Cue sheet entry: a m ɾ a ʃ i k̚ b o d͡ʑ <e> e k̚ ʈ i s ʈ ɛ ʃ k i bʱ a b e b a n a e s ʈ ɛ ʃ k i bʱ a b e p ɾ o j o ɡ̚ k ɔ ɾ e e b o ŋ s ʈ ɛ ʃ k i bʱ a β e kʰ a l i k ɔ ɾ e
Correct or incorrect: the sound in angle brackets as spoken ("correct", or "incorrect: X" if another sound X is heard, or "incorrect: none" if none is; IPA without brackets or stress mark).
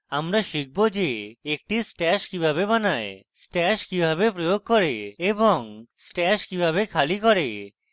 correct